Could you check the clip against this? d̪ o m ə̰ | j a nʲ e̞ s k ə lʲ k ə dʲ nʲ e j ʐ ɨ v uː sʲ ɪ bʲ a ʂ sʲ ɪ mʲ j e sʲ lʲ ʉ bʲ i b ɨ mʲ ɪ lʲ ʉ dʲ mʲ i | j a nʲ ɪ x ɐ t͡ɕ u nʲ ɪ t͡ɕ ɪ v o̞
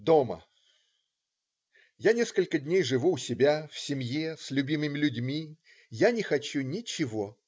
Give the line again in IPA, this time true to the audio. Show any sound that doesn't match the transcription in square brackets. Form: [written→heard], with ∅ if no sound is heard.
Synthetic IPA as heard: d̪ o m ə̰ | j a nʲ e̞ s k ə lʲ k ə dʲ nʲ e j ʐ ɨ v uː sʲ ɪ bʲ a [ʂ→f] sʲ ɪ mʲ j e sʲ lʲ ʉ bʲ i [b→m] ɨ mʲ ɪ lʲ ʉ dʲ mʲ i | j a nʲ ɪ x ɐ t͡ɕ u nʲ ɪ t͡ɕ ɪ v o̞